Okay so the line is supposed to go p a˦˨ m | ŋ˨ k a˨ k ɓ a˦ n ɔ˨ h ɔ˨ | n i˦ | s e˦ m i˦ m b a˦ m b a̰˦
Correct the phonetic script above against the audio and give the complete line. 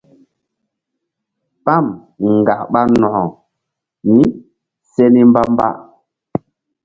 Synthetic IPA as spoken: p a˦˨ m | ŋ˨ ɡ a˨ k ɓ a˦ n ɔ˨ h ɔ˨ | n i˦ | s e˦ n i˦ m b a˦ m b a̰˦